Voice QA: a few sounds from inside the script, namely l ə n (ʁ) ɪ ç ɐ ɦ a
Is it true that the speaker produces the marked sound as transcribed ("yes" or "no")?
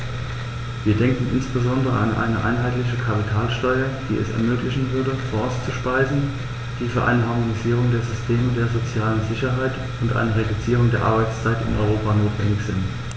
no